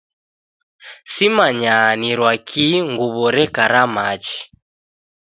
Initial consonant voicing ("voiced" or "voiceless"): voiceless